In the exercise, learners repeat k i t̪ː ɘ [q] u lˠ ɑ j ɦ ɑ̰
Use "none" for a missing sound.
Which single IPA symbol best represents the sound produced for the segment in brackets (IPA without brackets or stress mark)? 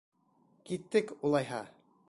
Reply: k